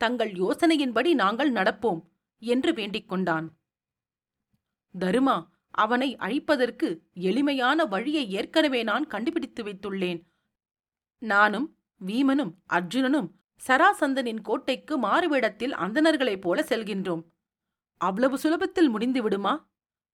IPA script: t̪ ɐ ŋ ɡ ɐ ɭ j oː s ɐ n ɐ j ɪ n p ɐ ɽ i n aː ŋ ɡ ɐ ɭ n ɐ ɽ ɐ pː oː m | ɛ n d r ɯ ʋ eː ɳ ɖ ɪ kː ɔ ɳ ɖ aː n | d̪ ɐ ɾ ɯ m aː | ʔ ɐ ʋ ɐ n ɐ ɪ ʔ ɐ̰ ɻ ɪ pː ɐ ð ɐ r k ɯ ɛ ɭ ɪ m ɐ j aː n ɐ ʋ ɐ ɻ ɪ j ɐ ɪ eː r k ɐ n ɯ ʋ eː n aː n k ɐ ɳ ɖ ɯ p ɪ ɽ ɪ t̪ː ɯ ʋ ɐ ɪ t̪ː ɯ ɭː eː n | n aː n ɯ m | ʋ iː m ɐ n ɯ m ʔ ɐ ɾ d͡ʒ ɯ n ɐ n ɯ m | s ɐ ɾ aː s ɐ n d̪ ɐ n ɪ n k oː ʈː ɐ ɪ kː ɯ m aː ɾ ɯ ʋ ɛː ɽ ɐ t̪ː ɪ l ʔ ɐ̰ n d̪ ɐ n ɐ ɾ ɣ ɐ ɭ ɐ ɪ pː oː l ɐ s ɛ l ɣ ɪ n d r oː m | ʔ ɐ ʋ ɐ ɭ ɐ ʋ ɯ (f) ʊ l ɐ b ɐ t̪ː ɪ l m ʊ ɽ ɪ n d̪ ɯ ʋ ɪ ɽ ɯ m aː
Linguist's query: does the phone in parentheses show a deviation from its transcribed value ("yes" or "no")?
yes